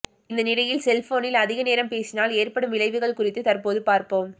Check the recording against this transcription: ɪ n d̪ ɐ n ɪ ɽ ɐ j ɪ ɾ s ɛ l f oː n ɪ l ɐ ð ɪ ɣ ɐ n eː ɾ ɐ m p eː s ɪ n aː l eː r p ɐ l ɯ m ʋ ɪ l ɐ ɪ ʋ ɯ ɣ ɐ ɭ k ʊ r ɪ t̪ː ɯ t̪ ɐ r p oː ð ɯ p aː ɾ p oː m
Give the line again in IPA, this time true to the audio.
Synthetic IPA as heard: ɪ n d̪ ɐ n ɪ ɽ ɐ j ɪ l s ɛ l f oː n ɪ l ɐ ð ɪ ɣ ɐ n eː ɾ ɐ m p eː s ɪ n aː l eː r p ɐ ɽ ɯ m ʋ ɪ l ɐ ɪ ʋ ɯ ɣ ɐ ɭ k ʊ r ɪ t̪ː ɯ t̪ ɐ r p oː ð ɯ p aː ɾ p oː m